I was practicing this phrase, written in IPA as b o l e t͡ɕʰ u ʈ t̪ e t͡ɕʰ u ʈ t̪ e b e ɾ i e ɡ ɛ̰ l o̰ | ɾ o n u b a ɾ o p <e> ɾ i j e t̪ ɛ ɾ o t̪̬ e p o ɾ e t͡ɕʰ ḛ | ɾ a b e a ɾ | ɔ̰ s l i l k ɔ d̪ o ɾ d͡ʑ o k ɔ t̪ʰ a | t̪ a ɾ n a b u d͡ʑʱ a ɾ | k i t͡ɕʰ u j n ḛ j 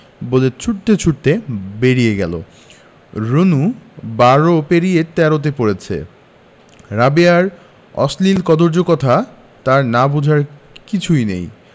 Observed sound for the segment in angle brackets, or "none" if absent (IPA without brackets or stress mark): e